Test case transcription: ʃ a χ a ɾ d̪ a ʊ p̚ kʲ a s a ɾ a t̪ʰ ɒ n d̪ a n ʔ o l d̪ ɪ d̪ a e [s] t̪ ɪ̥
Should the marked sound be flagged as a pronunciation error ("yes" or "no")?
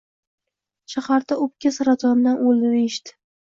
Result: yes